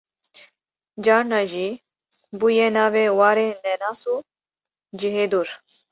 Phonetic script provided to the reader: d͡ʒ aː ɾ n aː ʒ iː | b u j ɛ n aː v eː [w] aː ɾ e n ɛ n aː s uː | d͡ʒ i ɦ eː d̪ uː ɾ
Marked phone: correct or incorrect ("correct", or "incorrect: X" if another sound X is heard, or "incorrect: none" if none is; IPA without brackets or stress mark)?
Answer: correct